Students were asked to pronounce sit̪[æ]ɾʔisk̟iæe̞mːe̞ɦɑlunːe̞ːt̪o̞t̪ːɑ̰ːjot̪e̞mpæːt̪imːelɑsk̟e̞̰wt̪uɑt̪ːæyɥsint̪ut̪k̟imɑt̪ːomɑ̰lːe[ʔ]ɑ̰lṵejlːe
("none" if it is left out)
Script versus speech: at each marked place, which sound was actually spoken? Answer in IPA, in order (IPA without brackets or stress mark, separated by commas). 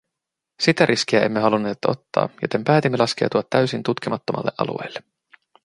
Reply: æ, ʔ